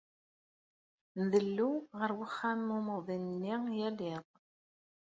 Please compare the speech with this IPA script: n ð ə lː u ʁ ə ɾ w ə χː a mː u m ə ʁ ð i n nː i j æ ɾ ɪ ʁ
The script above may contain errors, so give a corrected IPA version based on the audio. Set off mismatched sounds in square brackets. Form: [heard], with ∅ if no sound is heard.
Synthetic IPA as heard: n ð ə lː u ʁ ə ɾ w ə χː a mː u m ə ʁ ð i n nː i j æ [l] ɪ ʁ